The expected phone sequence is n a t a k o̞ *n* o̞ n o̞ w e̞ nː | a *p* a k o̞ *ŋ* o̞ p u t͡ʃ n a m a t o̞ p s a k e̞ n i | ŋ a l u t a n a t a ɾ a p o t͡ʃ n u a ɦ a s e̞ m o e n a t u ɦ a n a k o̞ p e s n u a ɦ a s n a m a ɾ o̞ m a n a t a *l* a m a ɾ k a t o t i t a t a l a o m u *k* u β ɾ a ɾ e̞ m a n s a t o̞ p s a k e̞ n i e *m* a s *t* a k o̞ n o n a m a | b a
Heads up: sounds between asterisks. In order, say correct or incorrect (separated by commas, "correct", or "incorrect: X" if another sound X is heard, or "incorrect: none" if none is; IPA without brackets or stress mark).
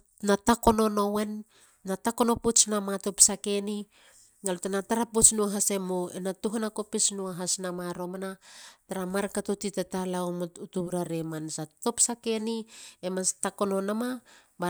correct, incorrect: t, incorrect: n, incorrect: ɾ, incorrect: t, correct, correct